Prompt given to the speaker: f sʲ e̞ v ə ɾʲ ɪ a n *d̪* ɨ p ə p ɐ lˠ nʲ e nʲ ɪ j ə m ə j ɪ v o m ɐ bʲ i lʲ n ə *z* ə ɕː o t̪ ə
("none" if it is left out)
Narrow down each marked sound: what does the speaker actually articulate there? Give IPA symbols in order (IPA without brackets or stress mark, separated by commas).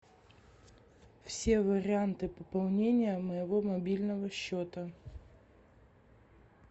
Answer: t̪, v